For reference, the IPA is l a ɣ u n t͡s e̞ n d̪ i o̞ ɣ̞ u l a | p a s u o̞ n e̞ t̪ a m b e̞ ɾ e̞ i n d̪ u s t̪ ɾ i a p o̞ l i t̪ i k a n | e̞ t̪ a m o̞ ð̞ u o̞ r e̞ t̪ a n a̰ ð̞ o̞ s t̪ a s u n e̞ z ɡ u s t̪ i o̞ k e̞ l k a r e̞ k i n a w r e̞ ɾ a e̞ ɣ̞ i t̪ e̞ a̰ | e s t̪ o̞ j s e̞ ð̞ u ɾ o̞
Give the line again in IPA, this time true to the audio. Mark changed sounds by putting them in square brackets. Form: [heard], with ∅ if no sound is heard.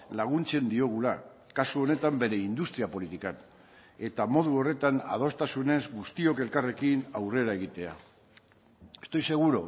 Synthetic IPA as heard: l a ɣ u n t͡s e̞ n d̪ i o̞ ɣ̞ u l a | [k] a s u o̞ n e̞ t̪ a m b e̞ ɾ e̞ i n d̪ u s t̪ ɾ i a p o̞ l i t̪ i k a n | e̞ t̪ a m o̞ ð̞ u o̞ r e̞ t̪ a n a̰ ð̞ o̞ s t̪ a s u n e̞ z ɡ u s t̪ i o̞ k e̞ l k a r e̞ k i n a w r e̞ ɾ a e̞ ɣ̞ i t̪ e̞ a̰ | e s t̪ o̞ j s e̞ [ɣ̞] u ɾ o̞